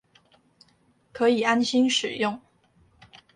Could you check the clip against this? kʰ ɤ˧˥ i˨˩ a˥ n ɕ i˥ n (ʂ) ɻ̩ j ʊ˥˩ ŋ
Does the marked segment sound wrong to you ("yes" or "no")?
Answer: no